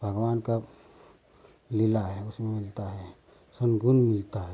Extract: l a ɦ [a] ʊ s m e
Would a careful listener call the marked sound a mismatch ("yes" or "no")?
yes